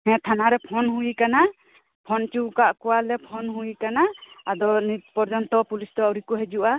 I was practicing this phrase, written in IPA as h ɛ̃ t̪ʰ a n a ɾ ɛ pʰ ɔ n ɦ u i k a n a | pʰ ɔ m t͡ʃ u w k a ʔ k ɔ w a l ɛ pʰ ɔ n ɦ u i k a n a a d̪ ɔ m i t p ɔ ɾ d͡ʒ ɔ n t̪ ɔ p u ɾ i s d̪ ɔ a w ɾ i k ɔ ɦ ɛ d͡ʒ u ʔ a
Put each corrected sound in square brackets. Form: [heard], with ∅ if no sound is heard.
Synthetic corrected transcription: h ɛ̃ t̪ʰ a n a ɾ ɛ pʰ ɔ n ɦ u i k a n a | pʰ ɔ [n] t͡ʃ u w k a ʔ k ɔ w a l ɛ pʰ ɔ n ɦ u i k a n a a d̪ ɔ [n] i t p ɔ ɾ d͡ʒ ɔ n t̪ ɔ p u [l] i s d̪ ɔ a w ɾ i k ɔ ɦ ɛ d͡ʒ u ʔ a